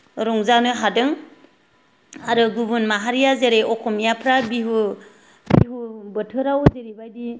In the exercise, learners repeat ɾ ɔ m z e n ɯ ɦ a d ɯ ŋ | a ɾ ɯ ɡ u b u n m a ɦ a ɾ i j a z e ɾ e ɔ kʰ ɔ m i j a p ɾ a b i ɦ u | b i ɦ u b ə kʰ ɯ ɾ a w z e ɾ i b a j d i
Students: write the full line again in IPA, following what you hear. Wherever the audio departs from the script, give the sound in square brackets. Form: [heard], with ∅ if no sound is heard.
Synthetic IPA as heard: ɾ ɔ [ŋ] z [a] n ɯ ɦ a d ɯ ŋ | a ɾ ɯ ɡ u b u n m a ɦ a ɾ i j a z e ɾ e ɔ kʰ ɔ m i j a [pʰ] ɾ a b i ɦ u | b i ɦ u b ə [tʰ] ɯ ɾ a w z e ɾ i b a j d i